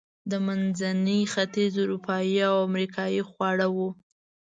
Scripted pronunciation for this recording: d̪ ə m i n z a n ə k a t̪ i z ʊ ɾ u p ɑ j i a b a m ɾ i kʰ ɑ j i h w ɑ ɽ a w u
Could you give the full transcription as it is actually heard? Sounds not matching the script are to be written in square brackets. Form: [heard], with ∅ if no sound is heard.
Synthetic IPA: d̪ ə m [a] n z a n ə [x] a t̪ i z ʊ ɾ u p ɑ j i a [w] a m ɾ i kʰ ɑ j i [x] w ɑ ɽ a w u